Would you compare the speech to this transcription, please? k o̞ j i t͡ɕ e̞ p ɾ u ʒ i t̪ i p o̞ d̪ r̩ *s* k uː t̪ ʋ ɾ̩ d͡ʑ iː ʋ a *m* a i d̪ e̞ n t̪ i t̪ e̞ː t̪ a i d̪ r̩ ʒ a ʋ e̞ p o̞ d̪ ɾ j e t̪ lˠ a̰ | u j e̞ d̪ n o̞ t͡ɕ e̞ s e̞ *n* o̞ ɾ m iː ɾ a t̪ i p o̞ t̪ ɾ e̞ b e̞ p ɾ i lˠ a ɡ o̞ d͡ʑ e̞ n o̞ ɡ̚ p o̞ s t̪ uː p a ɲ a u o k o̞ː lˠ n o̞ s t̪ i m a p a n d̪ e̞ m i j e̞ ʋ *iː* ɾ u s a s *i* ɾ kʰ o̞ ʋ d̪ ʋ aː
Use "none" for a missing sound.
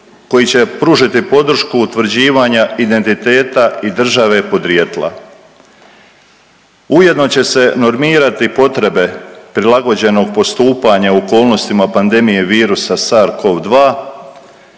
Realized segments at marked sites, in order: ʃ, ɲ, n, iː, a

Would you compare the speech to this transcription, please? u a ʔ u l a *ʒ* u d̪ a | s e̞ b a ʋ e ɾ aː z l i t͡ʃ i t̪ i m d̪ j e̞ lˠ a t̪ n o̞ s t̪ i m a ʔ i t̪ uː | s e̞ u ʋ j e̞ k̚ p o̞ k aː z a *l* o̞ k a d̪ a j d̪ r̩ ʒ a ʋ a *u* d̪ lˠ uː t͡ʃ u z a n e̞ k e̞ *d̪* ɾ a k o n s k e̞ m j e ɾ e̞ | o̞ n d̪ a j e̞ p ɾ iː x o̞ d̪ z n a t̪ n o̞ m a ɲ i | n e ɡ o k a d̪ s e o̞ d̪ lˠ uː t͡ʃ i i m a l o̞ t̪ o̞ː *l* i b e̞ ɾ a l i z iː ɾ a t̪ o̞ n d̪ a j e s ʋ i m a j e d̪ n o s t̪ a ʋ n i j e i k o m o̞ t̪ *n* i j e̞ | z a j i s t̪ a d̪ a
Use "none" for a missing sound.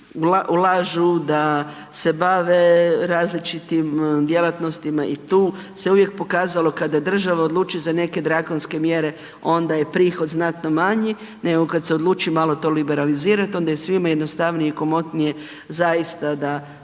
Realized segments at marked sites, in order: ʒ, l, o, d̪, l, n

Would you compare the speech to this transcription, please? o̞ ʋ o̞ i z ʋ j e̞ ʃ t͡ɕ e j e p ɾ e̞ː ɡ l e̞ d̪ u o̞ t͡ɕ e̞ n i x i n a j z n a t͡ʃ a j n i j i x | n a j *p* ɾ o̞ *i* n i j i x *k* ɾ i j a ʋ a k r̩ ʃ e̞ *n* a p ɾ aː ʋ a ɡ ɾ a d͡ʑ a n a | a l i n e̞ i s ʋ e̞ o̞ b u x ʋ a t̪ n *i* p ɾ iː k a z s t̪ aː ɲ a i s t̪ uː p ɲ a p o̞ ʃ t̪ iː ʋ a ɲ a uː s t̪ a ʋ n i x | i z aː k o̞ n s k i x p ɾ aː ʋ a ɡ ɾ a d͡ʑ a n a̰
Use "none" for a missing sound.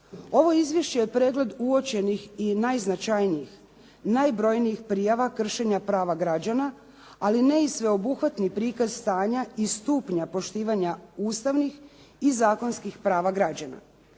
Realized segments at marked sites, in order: b, j, p, ɲ, i

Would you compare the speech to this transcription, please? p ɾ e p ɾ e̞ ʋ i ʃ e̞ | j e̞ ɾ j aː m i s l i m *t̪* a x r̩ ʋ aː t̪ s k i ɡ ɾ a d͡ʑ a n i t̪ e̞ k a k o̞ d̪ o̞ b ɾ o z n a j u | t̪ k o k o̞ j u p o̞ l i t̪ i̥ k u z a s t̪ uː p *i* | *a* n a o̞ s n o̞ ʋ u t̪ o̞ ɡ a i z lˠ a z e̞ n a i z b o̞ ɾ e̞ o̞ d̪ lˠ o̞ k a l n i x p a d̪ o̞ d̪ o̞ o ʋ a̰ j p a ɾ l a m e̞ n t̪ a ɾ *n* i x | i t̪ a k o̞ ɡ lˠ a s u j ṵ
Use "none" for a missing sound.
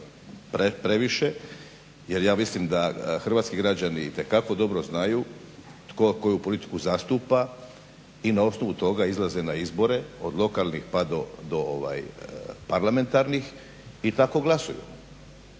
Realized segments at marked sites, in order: d̪, a, i, n

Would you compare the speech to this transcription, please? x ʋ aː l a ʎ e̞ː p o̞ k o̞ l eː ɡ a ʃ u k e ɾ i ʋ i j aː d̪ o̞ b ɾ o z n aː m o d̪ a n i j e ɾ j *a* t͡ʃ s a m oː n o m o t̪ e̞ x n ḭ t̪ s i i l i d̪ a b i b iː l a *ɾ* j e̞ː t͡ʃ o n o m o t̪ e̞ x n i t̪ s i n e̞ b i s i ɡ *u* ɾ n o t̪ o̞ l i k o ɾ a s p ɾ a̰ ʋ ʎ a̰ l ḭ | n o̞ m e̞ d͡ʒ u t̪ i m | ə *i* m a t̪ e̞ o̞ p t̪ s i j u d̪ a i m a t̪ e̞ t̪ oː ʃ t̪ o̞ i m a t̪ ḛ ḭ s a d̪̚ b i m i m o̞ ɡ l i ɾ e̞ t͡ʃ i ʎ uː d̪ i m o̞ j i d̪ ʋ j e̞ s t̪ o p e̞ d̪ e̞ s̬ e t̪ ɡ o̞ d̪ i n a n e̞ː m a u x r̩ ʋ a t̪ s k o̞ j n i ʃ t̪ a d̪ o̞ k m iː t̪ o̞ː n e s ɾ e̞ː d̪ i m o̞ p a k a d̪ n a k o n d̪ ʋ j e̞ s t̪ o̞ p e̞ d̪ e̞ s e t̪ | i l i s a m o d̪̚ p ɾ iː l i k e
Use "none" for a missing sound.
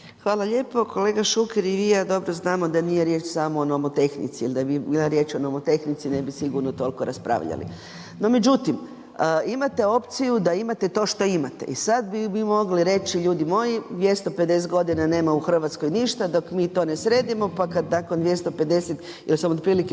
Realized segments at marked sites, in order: e, ɾ, u, i

